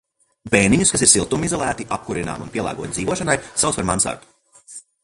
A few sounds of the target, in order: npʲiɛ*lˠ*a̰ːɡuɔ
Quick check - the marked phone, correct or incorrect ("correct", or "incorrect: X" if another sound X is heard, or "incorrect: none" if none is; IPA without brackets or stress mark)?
correct